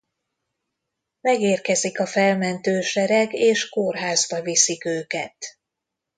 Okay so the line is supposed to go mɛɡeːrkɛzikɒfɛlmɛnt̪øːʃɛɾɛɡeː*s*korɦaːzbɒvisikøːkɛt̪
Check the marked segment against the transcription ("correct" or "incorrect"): incorrect